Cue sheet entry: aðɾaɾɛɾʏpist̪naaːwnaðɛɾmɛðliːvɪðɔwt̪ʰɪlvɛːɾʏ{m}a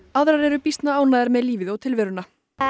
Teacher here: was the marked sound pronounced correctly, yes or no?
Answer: no